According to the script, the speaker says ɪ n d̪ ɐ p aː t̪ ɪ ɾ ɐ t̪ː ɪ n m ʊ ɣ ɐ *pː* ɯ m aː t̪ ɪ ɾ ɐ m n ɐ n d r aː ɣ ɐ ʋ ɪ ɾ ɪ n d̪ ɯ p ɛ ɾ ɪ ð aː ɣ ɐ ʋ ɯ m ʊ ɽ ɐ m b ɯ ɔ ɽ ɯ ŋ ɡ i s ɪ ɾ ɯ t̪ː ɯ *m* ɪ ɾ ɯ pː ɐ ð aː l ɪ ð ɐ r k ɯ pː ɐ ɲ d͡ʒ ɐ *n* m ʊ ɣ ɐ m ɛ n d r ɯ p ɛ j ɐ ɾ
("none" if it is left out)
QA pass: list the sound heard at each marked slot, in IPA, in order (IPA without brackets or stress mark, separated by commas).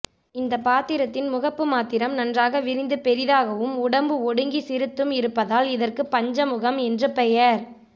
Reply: pː, m, none